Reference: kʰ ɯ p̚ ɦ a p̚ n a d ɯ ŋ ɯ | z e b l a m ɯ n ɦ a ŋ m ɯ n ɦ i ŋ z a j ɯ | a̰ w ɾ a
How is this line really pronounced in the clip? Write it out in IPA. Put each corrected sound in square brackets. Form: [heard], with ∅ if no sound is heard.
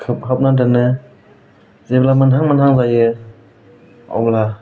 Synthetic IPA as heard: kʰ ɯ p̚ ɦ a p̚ n a d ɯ [n] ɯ | z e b l a m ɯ n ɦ a ŋ m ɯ n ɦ [a] ŋ z a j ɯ | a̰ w [l] a